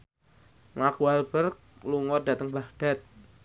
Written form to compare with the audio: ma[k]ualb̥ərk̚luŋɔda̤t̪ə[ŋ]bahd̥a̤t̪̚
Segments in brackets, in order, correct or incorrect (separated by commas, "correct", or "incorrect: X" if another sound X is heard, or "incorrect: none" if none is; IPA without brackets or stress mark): correct, correct